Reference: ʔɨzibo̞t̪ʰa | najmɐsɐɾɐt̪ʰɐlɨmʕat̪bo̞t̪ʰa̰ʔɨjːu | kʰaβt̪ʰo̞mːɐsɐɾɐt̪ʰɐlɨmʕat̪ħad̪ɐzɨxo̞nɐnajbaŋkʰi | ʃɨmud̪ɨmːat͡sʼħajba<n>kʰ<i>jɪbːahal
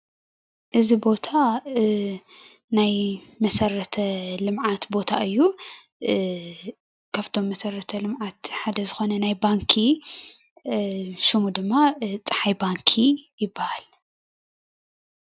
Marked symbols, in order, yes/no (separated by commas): no, yes